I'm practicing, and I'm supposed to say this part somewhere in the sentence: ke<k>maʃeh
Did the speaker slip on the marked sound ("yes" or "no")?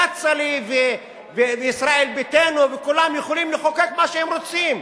no